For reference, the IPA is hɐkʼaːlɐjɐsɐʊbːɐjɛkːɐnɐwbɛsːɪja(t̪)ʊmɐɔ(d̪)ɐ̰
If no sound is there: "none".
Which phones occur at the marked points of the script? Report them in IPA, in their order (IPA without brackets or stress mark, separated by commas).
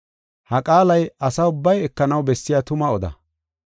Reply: t̪, d̪